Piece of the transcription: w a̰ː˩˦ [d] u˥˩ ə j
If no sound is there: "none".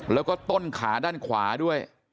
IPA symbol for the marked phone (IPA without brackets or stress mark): d